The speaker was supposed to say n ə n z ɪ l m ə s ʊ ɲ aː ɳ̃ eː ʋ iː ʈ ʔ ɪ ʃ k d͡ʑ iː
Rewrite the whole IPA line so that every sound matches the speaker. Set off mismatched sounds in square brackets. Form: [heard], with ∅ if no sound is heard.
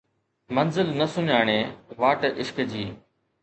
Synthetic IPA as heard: [m] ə n z ɪ l [n] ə s ʊ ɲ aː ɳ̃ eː ʋ [aː] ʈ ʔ ɪ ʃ k d͡ʑ iː